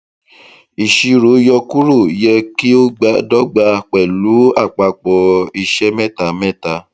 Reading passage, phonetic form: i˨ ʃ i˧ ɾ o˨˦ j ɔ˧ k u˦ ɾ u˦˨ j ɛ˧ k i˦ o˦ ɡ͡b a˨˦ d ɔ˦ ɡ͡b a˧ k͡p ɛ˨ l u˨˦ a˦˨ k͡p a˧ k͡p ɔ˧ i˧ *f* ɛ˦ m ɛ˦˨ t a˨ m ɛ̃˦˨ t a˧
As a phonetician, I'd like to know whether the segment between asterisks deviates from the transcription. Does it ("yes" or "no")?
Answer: yes